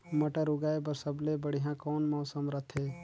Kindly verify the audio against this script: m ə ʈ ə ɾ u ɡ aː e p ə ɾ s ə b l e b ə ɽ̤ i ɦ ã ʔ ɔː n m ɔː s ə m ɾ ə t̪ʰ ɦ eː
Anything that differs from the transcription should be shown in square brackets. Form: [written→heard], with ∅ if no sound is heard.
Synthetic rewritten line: m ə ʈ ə ɾ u ɡ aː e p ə ɾ s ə b l e b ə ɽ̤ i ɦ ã [ʔ→k] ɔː n m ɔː s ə m ɾ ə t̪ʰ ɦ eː